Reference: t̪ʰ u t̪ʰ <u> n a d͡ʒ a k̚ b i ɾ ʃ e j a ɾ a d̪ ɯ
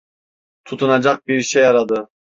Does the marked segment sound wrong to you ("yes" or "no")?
no